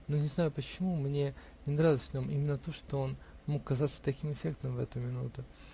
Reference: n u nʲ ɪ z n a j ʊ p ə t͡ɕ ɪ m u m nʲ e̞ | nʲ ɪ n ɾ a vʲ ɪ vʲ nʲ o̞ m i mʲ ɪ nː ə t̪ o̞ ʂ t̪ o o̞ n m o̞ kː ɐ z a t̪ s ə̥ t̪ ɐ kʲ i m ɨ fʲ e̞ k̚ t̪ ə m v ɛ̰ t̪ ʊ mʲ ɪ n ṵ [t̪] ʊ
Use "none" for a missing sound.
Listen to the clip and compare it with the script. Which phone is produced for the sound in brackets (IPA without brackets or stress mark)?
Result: t̪